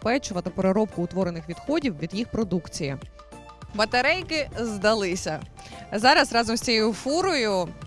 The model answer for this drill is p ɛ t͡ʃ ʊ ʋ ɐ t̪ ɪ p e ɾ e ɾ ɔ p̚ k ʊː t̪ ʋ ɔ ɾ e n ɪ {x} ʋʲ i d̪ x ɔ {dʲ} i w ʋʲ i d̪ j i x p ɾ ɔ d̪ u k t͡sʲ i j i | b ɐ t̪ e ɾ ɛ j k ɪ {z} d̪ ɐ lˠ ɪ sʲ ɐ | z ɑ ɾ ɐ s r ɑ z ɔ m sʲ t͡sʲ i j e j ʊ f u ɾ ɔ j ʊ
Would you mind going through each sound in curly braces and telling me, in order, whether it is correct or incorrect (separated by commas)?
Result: correct, correct, correct